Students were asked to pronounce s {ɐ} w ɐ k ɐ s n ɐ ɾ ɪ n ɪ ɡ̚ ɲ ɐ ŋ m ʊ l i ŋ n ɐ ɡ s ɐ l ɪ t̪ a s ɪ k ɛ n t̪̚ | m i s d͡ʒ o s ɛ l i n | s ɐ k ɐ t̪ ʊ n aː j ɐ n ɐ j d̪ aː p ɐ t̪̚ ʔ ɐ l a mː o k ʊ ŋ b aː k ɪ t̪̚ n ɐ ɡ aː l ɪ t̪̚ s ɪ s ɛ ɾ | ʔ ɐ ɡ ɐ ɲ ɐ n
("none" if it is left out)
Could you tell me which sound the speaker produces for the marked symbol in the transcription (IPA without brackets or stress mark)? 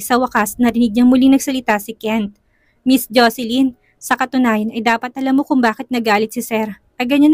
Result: ɐ